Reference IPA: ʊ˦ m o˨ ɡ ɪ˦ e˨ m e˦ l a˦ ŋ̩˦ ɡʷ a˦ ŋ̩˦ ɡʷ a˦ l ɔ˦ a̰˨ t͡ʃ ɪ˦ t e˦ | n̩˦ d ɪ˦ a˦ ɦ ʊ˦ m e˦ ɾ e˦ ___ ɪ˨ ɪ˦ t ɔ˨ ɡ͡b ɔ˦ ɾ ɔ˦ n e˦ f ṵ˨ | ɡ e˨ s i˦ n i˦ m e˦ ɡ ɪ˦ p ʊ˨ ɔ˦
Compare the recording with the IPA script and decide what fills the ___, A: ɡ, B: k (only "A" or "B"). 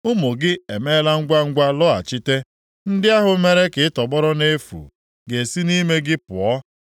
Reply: B